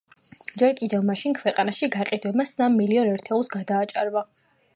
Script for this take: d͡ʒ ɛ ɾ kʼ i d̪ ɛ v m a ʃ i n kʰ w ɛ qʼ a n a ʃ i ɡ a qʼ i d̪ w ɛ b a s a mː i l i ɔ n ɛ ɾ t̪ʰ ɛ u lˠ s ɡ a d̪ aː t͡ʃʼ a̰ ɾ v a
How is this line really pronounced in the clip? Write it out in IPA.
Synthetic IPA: d͡ʒ ɛ ɾ kʼ i d̪ ɛ v m a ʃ i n kʰ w ɛ qʼ a n a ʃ i ɡ a qʼ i d̪ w ɛ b a s a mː i l i ɔ n ɛ ɾ t̪ʰ ɛ u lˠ s ɡ a d̪ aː t͡ʃʼ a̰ ɾ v a